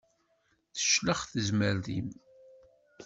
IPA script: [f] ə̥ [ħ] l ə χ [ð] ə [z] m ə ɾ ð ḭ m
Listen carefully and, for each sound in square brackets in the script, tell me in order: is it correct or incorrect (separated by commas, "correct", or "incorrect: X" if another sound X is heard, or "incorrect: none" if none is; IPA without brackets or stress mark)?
incorrect: θ, incorrect: ʃ, incorrect: θ, correct